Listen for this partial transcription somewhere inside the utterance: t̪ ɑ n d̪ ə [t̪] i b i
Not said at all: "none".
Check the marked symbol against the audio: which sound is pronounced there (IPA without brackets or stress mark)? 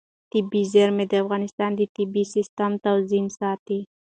t̪